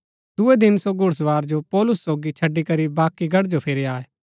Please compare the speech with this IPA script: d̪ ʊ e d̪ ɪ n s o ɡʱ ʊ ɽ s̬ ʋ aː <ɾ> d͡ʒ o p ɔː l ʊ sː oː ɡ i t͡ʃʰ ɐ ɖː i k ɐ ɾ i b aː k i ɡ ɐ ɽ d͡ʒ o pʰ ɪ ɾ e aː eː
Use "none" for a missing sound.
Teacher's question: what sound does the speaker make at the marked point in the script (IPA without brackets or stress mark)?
ɾ